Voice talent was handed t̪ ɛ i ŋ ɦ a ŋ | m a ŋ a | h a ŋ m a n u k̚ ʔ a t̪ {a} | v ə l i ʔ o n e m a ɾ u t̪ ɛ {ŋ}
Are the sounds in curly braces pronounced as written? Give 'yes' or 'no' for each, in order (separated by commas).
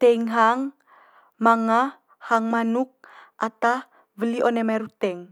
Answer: yes, yes